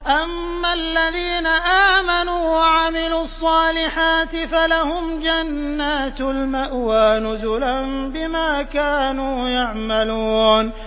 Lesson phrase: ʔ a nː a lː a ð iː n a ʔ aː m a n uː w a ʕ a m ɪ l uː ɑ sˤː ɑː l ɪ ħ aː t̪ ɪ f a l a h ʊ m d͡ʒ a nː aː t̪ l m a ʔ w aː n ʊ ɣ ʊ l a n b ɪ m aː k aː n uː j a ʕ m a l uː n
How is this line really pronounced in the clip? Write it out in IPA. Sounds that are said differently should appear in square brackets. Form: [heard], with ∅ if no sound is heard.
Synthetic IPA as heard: ʔ a [mː] a lː a ð iː n a ʔ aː m a n uː w a ʕ a m ɪ l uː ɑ sˤː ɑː l ɪ ħ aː t̪ ɪ f a l a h ʊ m d͡ʒ a nː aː t̪ l m a ʔ w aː n ʊ [z] ʊ l a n b ɪ m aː k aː n uː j a ʕ m a l uː n